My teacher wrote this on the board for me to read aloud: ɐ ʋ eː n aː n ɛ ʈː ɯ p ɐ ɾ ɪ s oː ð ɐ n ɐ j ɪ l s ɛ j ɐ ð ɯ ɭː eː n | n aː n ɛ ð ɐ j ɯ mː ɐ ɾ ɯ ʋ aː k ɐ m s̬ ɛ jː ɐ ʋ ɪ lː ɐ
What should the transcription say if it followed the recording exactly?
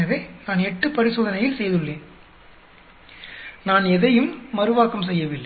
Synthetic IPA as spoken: ɐ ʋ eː n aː n ɛ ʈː ɯ p ɐ ɾ ɪ s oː ð ɐ n ɐ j ɪ l s ɛ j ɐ ð ɯ ɭː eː n | n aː n ɛ ð ɐ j ɯ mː ɐ ɾ ɯ ʋ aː k ɐ m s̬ ɛ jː ɐ ʋ ɪ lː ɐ